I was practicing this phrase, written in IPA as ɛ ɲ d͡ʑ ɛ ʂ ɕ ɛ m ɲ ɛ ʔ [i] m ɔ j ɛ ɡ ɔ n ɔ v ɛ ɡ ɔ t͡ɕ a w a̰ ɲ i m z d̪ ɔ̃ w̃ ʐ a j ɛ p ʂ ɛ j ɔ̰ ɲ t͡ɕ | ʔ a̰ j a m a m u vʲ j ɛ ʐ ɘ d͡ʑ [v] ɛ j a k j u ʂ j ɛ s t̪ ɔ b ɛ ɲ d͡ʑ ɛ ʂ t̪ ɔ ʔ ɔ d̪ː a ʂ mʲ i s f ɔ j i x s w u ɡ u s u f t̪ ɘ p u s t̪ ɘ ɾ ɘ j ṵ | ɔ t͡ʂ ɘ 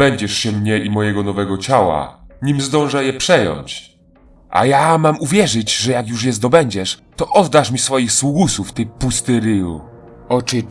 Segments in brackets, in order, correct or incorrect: correct, incorrect: ʐ

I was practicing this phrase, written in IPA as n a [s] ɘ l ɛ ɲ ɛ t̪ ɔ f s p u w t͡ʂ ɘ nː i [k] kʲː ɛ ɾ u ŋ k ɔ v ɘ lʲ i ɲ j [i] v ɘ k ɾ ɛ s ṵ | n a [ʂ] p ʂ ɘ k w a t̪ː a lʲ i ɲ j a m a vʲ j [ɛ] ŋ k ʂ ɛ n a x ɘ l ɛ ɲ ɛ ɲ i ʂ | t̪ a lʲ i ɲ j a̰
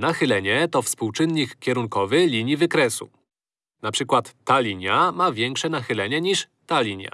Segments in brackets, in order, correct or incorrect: incorrect: x, correct, correct, incorrect: none, correct

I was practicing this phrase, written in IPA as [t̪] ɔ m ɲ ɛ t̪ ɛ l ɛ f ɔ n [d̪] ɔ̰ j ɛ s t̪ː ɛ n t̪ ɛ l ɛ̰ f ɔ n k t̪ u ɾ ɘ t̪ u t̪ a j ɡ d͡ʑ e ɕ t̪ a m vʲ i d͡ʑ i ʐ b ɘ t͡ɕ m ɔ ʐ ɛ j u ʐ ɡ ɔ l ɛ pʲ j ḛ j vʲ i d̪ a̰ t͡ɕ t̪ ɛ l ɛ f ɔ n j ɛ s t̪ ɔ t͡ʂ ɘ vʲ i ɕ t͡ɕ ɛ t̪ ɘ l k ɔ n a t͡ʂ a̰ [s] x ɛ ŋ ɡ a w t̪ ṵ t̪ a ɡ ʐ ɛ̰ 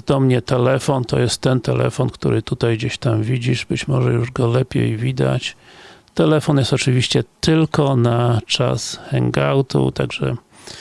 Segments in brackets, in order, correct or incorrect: incorrect: d̪, incorrect: t̪, correct

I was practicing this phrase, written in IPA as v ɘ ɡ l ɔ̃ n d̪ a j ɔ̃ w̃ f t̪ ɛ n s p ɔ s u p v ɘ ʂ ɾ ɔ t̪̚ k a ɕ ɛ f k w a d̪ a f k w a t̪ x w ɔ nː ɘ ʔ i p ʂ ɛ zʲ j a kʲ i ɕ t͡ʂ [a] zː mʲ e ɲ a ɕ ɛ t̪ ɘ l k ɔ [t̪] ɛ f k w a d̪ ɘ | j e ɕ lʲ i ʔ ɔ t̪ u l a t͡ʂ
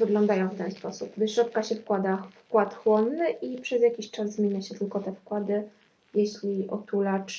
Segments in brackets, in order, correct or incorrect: correct, correct

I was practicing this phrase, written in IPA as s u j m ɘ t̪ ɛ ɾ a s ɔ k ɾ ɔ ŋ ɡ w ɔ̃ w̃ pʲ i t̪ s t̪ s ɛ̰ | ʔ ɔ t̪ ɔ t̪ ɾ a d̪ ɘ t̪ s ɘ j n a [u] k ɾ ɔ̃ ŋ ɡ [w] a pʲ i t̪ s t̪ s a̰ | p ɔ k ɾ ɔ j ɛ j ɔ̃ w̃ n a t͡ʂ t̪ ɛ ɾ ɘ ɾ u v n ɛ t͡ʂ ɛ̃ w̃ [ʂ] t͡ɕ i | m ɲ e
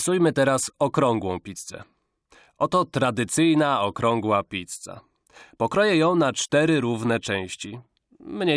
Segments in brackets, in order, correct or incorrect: incorrect: ɔ, correct, incorrect: ɕ

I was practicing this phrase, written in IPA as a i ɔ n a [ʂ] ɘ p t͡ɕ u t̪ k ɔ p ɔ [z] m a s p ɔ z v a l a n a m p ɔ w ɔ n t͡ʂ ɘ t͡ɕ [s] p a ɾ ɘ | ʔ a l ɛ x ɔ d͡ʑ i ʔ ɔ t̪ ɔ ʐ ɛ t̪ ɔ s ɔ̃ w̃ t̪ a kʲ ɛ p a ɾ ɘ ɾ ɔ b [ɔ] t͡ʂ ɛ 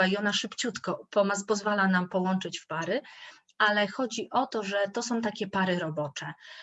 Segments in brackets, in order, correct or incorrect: correct, incorrect: none, incorrect: f, correct

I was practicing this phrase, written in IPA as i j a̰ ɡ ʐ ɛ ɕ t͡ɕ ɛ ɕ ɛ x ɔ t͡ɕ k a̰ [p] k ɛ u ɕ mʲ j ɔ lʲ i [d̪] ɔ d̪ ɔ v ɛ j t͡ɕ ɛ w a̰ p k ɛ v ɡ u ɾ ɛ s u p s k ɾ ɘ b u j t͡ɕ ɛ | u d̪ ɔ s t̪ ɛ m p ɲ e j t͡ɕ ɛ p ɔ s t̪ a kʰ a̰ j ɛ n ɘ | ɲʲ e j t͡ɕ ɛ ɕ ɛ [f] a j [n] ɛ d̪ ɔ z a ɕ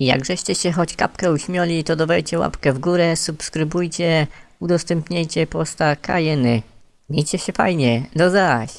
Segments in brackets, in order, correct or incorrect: correct, incorrect: t̪, correct, incorrect: ɲ

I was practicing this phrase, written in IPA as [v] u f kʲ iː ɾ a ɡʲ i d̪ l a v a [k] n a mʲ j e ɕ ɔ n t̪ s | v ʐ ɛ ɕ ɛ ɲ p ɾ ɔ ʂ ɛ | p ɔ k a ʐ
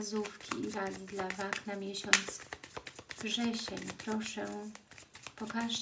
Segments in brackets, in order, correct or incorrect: incorrect: z, correct

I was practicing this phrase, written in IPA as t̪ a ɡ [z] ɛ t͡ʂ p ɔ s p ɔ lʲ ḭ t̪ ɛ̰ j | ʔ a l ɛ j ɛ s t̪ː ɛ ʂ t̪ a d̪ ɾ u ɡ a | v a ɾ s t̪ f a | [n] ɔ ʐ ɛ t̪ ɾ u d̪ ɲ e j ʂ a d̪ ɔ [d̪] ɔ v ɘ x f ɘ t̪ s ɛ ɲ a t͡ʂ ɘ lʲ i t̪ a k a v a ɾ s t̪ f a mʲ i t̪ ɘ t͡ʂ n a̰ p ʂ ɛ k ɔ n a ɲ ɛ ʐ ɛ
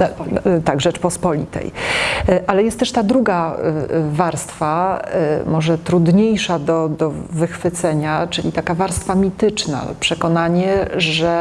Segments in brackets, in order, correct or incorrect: incorrect: ʐ, incorrect: m, correct

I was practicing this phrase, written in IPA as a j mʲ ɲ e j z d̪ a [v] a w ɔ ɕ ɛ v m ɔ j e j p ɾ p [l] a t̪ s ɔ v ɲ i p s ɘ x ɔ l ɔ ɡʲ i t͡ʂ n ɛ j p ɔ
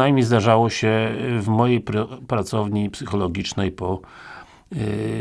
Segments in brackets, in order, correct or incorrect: incorrect: ʐ, incorrect: ɾ

